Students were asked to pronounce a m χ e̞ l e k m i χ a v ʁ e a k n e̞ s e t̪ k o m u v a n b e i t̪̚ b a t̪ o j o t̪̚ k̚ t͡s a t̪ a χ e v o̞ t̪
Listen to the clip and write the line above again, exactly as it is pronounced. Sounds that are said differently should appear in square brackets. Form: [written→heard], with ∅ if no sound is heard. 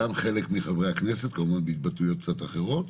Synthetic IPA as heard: a m χ e̞ l e k m i χ a v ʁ e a k n e̞ s e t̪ k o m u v a n b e i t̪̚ b a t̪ [o→u] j o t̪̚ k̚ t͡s a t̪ a χ e [v→ʁ] o̞ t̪